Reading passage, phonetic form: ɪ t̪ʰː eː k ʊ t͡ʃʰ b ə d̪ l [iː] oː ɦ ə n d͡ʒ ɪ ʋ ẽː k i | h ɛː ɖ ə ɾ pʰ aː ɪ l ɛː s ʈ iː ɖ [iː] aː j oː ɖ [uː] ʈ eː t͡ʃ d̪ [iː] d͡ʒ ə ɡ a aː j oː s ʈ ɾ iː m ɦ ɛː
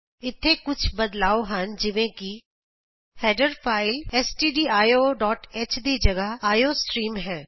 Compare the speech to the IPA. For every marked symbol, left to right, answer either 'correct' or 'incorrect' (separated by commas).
incorrect, correct, incorrect, correct